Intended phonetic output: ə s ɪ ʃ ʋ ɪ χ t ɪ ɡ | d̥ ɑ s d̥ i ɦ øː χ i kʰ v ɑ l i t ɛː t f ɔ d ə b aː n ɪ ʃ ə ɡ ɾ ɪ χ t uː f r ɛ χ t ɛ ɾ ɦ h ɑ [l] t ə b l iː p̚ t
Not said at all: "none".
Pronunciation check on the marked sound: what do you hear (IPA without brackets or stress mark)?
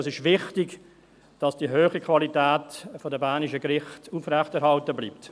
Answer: l